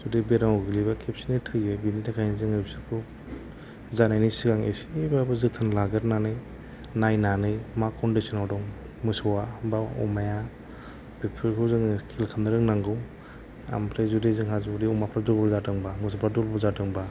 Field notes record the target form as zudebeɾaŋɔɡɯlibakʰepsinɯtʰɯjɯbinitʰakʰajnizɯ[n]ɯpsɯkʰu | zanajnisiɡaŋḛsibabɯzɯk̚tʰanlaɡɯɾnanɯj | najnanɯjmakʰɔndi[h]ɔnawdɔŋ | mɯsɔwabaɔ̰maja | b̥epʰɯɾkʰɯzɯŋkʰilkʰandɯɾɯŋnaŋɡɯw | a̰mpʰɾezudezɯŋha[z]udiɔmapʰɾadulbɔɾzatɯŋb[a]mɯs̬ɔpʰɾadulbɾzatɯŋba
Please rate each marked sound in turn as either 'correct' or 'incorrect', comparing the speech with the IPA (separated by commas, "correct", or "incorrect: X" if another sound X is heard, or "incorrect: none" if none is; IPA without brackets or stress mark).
incorrect: ŋ, incorrect: s, correct, correct